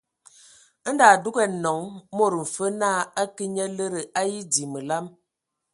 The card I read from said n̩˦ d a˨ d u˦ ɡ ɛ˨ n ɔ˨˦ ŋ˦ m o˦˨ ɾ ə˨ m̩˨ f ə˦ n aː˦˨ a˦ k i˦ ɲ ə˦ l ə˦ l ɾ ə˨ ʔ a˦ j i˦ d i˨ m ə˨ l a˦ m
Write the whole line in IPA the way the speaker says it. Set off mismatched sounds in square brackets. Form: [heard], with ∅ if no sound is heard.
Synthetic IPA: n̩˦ d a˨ d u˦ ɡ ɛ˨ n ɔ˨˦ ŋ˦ m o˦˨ ɾ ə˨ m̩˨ f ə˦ n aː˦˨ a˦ k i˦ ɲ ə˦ l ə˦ [∅] ɾ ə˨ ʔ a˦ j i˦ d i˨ m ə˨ l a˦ m